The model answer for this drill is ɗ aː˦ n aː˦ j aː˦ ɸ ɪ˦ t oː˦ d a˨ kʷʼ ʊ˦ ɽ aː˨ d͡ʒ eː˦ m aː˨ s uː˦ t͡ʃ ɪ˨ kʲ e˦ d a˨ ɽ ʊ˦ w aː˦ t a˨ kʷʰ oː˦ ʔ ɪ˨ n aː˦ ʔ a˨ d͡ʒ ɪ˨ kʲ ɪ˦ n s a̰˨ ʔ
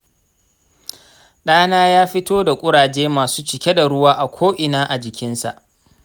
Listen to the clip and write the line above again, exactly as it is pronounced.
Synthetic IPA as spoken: ɗ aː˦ n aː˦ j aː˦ ɸ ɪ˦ t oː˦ d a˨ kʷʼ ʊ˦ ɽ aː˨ d͡ʒ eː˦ m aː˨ s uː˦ t͡ʃ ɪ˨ kʲ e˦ d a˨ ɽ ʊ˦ w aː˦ ʔ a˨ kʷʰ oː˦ ʔ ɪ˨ n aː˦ ʔ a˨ d͡ʒ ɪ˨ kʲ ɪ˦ n s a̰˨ ʔ